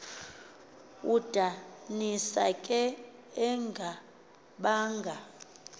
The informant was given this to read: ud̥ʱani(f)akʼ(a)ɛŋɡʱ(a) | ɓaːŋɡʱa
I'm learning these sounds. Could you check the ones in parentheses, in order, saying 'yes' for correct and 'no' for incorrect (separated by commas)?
no, no, yes